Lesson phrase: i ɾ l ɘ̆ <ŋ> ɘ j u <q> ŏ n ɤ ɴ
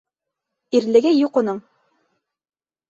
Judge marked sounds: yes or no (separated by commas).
no, yes